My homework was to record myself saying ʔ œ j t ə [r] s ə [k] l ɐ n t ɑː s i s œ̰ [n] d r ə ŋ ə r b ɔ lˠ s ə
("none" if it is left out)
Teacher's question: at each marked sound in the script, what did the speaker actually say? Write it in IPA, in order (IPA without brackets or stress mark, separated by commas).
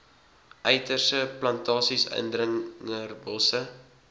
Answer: r, p, n